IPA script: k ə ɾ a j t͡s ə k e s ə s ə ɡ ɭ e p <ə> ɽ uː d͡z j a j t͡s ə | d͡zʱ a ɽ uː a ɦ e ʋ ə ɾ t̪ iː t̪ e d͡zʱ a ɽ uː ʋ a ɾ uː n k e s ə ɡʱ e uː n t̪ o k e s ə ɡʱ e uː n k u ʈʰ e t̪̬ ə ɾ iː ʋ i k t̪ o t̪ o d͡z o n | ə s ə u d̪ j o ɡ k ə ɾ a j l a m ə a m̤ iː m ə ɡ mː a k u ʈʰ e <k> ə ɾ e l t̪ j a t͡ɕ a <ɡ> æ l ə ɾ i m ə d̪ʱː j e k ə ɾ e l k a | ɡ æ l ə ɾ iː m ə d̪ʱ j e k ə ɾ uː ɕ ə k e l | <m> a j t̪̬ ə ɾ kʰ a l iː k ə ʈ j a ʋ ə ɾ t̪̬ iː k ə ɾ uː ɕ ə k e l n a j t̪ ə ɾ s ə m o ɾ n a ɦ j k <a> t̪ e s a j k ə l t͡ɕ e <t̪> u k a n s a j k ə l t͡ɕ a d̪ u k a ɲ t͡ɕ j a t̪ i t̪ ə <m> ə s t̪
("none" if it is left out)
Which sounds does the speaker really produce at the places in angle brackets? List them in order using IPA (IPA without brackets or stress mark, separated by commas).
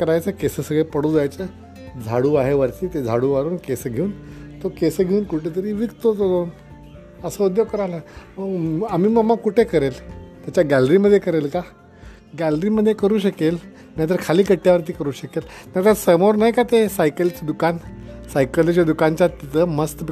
ə, k, ɡ, n, a, d̪, m